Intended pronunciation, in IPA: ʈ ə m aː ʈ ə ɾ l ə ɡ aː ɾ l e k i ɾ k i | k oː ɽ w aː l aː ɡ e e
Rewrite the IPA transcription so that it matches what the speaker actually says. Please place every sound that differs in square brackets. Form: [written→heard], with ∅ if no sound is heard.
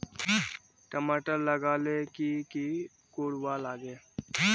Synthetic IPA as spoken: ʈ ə m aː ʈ ə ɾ l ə ɡ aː [ɾ→∅] l e k i [ɾ→∅] k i | k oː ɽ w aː l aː ɡ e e

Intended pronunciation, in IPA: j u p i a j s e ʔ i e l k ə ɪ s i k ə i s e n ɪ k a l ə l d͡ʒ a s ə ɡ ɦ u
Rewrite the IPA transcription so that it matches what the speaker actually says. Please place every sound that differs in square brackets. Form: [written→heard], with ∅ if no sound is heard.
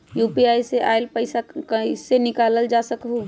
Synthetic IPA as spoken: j u p i a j s e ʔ [i→a] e l [k→p] ə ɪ s [i→a] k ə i s e n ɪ k a l ə l d͡ʒ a s ə [ɡ→k] ɦ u

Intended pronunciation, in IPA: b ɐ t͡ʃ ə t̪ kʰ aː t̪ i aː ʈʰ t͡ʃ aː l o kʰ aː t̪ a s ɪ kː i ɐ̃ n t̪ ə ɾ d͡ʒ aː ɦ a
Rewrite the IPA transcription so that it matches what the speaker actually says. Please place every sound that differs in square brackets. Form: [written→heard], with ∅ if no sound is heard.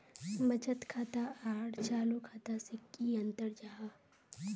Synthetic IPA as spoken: b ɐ t͡ʃ ə t̪ kʰ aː t̪ [i→a] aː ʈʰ t͡ʃ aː l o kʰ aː t̪ a s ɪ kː i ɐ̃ n t̪ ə ɾ d͡ʒ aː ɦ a

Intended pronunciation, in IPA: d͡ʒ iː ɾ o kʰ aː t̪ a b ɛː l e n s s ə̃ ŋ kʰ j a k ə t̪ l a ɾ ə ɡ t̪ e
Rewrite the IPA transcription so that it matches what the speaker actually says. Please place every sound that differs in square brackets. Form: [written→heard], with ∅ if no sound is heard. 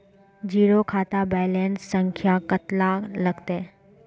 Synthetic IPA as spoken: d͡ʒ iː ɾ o kʰ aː t̪ a b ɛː l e n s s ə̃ ŋ kʰ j a k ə t̪ l a [ɾ→l] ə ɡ t̪ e

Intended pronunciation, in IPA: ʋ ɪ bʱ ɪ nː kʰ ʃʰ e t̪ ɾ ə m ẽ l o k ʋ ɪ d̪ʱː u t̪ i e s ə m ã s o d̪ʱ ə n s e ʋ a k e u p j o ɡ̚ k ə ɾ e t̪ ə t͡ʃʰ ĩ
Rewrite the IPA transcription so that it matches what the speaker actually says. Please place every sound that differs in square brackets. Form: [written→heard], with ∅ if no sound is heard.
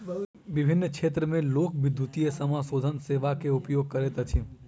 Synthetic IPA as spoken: ʋ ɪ bʱ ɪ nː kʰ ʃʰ e t̪ ɾ ə m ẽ l o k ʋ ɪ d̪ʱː u t̪ i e s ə m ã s o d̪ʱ ə n s e ʋ a k e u p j o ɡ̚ k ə ɾ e t̪ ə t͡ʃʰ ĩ

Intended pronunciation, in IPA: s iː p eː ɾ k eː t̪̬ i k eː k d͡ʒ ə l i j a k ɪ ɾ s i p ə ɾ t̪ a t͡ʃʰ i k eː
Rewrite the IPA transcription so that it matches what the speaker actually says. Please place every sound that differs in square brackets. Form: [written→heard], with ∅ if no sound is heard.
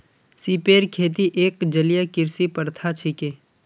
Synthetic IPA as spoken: s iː p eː ɾ [k→kʰ] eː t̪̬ i [k→ʔ] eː k d͡ʒ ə l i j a k ɪ ɾ s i p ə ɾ [t̪→t̪ʰ] a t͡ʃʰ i k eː

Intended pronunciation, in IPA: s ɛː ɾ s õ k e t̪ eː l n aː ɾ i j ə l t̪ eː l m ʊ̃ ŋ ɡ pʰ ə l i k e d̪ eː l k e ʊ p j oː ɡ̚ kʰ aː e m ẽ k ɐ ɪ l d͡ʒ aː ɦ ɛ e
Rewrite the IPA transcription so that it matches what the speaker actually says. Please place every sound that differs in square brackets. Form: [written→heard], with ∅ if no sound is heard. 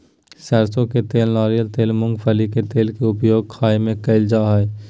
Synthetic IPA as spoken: s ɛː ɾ s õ k e t̪ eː l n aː ɾ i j ə l t̪ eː l m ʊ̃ ŋ ɡ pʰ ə l i k e [d̪→t̪] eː l k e ʊ p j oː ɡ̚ kʰ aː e m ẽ k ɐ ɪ l d͡ʒ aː ɦ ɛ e

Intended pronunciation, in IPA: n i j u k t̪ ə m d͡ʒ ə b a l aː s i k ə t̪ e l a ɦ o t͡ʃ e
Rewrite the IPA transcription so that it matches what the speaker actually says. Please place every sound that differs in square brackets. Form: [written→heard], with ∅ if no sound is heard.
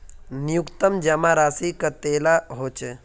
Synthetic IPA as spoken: n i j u k t̪ ə m d͡ʒ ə [b→m] a [l→ɾ] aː s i k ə t̪ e l a ɦ o t͡ʃ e

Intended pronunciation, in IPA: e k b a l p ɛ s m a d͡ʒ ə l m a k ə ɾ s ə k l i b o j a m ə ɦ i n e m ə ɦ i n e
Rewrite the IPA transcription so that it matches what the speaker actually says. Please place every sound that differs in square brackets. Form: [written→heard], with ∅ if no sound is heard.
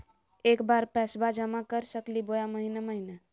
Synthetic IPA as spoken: e k b a [l→ɾ] p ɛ s [m→b] a d͡ʒ ə [l→∅] m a k ə ɾ s ə k l i b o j a m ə ɦ i n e m ə ɦ i n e

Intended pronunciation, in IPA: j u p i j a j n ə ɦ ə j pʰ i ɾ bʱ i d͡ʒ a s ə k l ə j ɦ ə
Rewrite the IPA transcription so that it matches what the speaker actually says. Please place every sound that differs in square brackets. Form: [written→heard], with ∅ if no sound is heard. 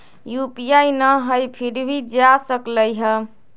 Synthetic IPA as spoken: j u p i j a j n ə ɦ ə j pʰ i ɾ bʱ i d͡ʒ a s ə k l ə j ɦ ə

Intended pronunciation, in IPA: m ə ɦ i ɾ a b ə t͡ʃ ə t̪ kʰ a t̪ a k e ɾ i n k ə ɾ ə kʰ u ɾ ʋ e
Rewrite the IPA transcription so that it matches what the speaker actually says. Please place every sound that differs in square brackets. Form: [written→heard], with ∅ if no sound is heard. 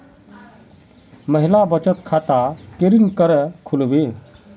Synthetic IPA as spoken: m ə ɦ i [ɾ→l] a b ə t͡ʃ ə t̪ kʰ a t̪ a k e ɾ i n k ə ɾ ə kʰ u [ɾ→l] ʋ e

